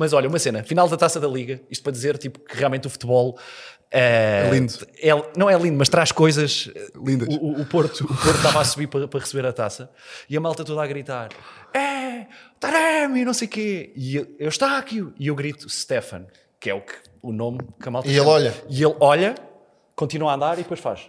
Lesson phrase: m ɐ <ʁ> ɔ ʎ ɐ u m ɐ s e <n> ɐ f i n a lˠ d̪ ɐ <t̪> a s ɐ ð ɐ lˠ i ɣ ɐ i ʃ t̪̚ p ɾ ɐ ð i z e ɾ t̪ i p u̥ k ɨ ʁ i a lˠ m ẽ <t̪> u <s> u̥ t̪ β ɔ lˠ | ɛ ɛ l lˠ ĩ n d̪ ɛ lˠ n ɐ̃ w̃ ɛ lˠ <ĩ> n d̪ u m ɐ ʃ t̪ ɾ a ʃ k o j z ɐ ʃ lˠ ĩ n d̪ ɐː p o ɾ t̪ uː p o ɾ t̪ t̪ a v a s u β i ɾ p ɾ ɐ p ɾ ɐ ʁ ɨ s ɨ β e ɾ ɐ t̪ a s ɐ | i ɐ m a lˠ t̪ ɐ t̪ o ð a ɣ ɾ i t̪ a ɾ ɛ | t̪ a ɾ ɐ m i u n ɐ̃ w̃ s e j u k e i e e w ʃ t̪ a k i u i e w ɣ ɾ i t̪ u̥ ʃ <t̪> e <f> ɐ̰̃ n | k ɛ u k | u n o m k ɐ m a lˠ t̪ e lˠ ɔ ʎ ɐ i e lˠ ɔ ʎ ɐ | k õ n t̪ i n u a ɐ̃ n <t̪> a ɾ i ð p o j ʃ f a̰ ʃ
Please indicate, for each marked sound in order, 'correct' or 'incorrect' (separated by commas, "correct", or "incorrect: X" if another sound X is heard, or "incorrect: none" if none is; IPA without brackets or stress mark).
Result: incorrect: z, correct, correct, correct, incorrect: f, correct, correct, correct, incorrect: d̪